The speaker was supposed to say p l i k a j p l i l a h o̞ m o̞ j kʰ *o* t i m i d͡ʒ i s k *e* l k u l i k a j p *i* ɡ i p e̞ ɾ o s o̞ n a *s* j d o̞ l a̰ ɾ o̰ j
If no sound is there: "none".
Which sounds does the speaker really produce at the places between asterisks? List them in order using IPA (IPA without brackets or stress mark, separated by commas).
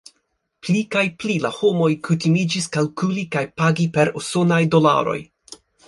u, a, a, none